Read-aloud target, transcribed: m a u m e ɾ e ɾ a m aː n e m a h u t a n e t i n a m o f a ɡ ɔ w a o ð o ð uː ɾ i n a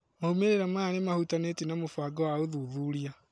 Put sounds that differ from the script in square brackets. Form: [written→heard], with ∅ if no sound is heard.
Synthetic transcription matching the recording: m a u m e ɾ e ɾ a m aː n e m a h u t a n e t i n a m o f a ɡ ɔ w a o ð [o→u] ð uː ɾ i [n→∅] a